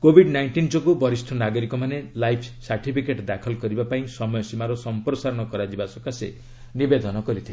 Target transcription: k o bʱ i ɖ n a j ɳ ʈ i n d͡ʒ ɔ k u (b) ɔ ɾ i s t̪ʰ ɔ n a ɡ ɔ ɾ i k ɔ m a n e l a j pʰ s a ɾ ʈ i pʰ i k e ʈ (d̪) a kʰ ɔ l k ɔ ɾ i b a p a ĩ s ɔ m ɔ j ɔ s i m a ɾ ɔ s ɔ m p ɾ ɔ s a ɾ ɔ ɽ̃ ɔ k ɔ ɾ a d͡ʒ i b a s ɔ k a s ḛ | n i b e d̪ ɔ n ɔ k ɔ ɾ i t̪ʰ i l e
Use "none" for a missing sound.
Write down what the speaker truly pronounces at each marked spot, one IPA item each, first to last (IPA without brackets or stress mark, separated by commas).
b, d̪